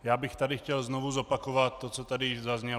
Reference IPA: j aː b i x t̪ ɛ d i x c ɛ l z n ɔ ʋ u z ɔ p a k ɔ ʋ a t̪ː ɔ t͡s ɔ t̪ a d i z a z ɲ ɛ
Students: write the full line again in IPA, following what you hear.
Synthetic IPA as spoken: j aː b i x t̪ a d i x c ɛ l z n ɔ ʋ u z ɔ p a k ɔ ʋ a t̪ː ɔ t͡s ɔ t̪ a d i z a z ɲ ɛ